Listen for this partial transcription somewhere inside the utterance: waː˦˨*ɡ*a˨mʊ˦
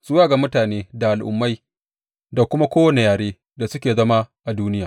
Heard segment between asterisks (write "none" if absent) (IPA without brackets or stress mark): ɡ